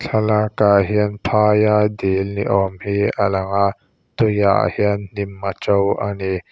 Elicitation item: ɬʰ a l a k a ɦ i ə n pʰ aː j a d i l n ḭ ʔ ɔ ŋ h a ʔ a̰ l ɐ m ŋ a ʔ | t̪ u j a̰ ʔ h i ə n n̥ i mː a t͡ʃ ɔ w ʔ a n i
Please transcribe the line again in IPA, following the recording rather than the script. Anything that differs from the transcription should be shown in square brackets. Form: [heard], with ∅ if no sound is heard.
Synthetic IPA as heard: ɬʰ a l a k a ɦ i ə n pʰ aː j a d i l n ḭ ʔ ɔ [m] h [i] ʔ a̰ l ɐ [∅] ŋ a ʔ | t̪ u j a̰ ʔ h i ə n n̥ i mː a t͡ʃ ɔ w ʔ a n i